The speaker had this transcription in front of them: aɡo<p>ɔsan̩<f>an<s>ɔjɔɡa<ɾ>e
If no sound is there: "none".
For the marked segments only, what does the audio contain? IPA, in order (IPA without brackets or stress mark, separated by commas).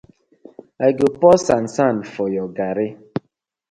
p, s, f, ɾ